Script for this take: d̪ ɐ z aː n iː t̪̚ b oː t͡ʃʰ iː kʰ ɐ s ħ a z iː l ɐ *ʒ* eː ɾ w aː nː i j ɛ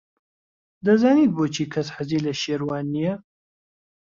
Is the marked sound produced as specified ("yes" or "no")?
no